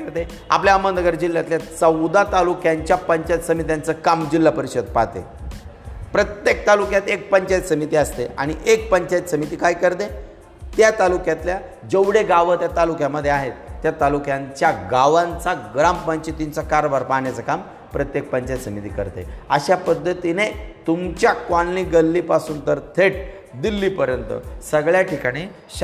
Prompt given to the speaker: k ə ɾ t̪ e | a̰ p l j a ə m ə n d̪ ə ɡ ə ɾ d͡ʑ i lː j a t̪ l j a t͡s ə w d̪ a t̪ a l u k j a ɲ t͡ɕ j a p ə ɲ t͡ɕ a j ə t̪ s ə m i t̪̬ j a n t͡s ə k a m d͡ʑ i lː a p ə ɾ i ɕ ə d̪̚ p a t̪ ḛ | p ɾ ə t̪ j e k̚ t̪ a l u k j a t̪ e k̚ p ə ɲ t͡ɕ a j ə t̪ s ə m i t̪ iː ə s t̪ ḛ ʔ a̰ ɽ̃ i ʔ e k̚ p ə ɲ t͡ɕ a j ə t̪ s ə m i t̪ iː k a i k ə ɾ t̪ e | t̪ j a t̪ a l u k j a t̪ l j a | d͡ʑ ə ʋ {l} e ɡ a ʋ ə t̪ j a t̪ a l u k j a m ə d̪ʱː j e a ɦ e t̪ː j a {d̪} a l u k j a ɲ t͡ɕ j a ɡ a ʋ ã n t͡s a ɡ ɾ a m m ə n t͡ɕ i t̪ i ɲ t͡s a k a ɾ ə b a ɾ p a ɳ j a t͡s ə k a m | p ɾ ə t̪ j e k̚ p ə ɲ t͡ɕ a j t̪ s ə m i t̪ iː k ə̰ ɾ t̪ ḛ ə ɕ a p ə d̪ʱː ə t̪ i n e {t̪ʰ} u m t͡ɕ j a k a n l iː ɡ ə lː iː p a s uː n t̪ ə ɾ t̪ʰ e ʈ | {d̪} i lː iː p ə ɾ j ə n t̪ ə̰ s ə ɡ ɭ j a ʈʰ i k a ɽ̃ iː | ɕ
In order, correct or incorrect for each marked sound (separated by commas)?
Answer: incorrect, incorrect, incorrect, correct